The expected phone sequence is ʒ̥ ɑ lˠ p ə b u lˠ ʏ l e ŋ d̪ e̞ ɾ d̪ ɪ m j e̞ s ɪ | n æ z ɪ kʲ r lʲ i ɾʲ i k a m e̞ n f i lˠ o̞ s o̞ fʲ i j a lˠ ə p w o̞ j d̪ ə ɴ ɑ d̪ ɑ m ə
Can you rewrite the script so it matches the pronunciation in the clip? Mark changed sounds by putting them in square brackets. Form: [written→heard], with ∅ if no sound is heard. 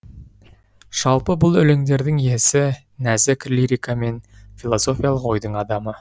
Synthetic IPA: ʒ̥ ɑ lˠ p ə b [u→ʊ] lˠ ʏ l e ŋ d̪ e̞ ɾ d̪ ɪ [m→ŋ] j e̞ s ɪ | n æ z ɪ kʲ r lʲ i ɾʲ i k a m e̞ n f i lˠ o̞ s o̞ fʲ i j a lˠ ə [p→q] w o̞ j d̪ ə ɴ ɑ d̪ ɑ m ə